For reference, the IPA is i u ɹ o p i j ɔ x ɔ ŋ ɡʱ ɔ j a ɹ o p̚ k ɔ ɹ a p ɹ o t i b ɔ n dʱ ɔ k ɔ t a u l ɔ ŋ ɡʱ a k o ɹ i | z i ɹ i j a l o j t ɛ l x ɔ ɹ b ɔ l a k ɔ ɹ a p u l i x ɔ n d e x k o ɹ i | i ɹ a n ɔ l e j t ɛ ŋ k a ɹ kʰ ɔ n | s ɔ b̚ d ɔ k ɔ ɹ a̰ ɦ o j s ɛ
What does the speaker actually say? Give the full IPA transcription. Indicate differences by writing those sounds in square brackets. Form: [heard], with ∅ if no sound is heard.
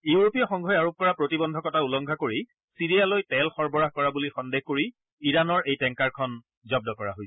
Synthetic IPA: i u ɹ o p i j ɔ x ɔ ŋ ɡʱ ɔ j a ɹ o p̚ k ɔ ɹ a p ɹ o t i b ɔ n dʱ ɔ k ɔ t a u l ɔ ŋ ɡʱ a k o ɹ i | [s] i ɹ i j a l o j t ɛ l x ɔ ɹ b ɔ [ɹ] a k ɔ ɹ a [b] u l i x ɔ n d e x k o ɹ i | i ɹ a n ɔ [ɹ] e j t ɛ ŋ k a ɹ kʰ ɔ n | [z] ɔ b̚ d ɔ k ɔ ɹ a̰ ɦ o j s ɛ

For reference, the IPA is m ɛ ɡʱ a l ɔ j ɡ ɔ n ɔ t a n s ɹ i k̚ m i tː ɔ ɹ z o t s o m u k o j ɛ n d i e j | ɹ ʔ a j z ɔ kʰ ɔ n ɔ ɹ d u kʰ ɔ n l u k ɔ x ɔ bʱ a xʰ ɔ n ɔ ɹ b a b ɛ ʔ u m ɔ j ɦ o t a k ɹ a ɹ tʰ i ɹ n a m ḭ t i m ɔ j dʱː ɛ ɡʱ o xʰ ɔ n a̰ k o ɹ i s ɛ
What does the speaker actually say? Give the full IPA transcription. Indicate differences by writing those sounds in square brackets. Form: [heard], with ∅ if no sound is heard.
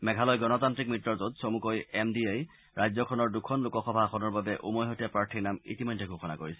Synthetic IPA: m ɛ ɡʱ a l ɔ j ɡ ɔ n ɔ t a n [t] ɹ i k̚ m i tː ɔ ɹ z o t s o m u k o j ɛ [m] d i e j | ɹ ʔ a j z ɔ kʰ ɔ n ɔ ɹ d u kʰ ɔ n l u k ɔ x ɔ bʱ a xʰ ɔ n ɔ ɹ b a b ɛ ʔ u m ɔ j ɦ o t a [p] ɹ a ɹ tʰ i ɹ n a m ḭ t i m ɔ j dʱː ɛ ɡʱ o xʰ ɔ n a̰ k o ɹ i s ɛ

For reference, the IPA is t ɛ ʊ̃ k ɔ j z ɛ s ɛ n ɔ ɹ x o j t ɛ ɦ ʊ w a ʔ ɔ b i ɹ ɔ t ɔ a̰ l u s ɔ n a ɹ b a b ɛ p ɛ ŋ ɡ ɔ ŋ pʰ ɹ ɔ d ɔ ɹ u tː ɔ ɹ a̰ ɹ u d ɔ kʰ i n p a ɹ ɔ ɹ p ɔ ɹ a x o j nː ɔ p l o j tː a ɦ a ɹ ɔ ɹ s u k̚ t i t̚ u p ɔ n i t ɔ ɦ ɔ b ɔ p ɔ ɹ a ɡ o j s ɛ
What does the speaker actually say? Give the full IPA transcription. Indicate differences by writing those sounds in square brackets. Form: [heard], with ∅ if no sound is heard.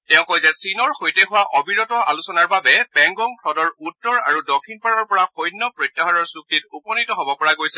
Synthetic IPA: t ɛ ʊ̃ k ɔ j z ɛ s [i] n ɔ ɹ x o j t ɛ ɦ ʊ w a ʔ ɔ b i ɹ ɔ t ɔ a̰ l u s ɔ n a ɹ b a b ɛ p ɛ ŋ ɡ ɔ ŋ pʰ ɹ ɔ d ɔ ɹ u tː ɔ ɹ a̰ ɹ u d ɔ kʰ i n p a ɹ ɔ ɹ p ɔ ɹ a x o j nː ɔ p [ɹ] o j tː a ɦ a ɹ ɔ ɹ s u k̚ t i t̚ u p ɔ n i t ɔ ɦ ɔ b ɔ p ɔ ɹ a ɡ o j s ɛ

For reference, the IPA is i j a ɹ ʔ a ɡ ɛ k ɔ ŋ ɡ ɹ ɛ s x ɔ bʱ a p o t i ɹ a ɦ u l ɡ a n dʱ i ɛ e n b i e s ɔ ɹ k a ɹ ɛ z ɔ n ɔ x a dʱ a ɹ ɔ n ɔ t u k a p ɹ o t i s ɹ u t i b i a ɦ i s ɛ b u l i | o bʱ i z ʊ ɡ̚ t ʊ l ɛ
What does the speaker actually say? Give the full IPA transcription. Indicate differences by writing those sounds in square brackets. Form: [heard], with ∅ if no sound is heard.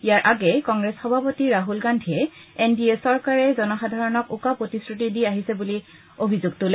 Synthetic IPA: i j a ɹ ʔ a ɡ ɛ k ɔ ŋ ɡ ɹ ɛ s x ɔ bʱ a p o t i ɹ a ɦ u l ɡ a n dʱ i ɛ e n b i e s ɔ ɹ k a ɹ ɛ z ɔ n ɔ x a dʱ a ɹ ɔ n ɔ [k] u k a p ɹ o t i s ɹ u t i [d] i a ɦ i s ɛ b u l i | o bʱ i z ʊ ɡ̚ t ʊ l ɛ

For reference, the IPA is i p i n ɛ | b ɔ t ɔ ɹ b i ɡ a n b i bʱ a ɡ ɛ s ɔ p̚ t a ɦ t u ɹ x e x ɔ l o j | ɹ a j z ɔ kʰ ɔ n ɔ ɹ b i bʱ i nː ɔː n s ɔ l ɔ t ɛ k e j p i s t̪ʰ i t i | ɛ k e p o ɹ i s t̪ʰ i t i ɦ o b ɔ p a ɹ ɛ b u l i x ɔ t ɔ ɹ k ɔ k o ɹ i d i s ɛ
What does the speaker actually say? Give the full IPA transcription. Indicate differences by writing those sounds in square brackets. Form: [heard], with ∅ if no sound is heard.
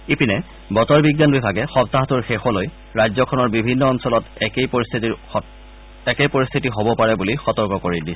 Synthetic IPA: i p i n ɛ | b ɔ t ɔ ɹ b i ɡ a n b i bʱ a ɡ ɛ [x] ɔ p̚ t a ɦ t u ɹ x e x ɔ l o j | ɹ a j z ɔ kʰ ɔ n ɔ ɹ b i bʱ i nː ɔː n s ɔ l ɔ t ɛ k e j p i s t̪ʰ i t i | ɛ k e p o ɹ i s t̪ʰ i t i ɦ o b ɔ p a ɹ ɛ b u l i x ɔ t ɔ ɹ k ɔ k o ɹ i d i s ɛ

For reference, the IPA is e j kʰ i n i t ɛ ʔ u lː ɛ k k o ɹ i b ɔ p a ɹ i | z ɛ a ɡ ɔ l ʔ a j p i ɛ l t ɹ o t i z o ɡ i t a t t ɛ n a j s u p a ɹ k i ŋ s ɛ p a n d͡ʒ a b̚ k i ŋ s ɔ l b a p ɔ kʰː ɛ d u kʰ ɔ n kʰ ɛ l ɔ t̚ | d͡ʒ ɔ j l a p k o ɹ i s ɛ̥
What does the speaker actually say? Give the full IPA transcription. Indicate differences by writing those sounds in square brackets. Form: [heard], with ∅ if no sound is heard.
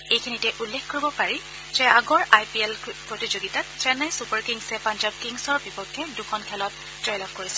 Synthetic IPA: e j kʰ i n i t ɛ ʔ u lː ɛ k k o ɹ i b ɔ p a ɹ i | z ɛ a ɡ ɔ [ɹ] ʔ a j p i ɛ l [p] ɹ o t i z o ɡ i t a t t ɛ n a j s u p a ɹ k i ŋ s ɛ p a n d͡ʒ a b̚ k i ŋ s ɔ [ɹ] b [i] p ɔ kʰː ɛ d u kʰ ɔ n kʰ ɛ l ɔ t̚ | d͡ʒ ɔ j l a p k o ɹ i s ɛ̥

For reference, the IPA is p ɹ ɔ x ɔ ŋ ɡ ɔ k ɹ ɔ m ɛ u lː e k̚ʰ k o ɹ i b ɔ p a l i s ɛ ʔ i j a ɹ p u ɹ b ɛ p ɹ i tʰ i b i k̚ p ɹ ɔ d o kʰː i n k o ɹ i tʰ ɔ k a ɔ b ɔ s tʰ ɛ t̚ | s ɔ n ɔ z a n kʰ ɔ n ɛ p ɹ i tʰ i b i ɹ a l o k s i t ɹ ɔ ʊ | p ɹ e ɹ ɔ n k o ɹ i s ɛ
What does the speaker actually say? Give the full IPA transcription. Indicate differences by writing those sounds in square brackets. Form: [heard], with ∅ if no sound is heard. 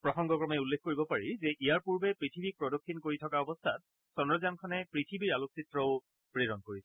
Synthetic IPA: p ɹ ɔ x ɔ ŋ ɡ ɔ k ɹ ɔ m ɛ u lː e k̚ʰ k o ɹ i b ɔ p a [ɹ] i [z] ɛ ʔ i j a ɹ p u ɹ b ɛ p ɹ i tʰ i b i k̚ p ɹ ɔ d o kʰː i n k o ɹ i tʰ ɔ k a ɔ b ɔ s tʰ [a] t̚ | s ɔ n ɔ z a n kʰ ɔ n ɛ p ɹ i tʰ i b i ɹ a l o k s i t ɹ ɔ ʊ | p ɹ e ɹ ɔ n k o ɹ i s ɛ

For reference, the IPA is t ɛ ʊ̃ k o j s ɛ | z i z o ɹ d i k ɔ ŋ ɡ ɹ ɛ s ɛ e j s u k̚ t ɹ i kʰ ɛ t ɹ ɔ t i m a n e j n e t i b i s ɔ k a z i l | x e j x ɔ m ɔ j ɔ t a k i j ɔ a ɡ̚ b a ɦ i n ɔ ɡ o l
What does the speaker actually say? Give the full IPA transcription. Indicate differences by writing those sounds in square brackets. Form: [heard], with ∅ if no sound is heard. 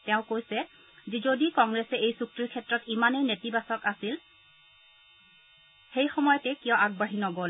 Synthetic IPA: t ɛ ʊ̃ k o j s ɛ | z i z o [∅] d i k ɔ ŋ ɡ ɹ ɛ s ɛ e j s u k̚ t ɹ i kʰ ɛ t ɹ ɔ t i m a n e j n e t i b [a] s ɔ k a [s] i l | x e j x ɔ m ɔ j ɔ t [ɛ] k i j ɔ a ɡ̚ b a ɦ i n ɔ ɡ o l

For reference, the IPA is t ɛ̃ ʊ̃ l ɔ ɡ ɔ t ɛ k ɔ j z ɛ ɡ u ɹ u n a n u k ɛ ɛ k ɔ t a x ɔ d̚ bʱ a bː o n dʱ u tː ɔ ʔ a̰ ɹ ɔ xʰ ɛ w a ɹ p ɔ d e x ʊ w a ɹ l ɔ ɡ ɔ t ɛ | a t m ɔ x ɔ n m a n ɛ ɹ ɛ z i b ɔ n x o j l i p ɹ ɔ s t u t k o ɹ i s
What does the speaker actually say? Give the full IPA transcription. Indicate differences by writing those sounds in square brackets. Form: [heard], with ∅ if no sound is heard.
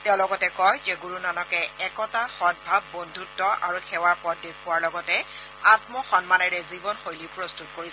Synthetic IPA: t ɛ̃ ʊ̃ l ɔ ɡ ɔ t ɛ k ɔ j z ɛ ɡ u ɹ u n a n [ɔ] k ɛ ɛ k ɔ t a x ɔ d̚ bʱ a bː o n dʱ u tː ɔ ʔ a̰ ɹ [u] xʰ ɛ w a ɹ p ɔ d e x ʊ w a ɹ l ɔ ɡ ɔ t ɛ | a t m ɔ x ɔ n m a n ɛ ɹ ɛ z i b ɔ n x o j l i p ɹ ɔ s t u t k o ɹ i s

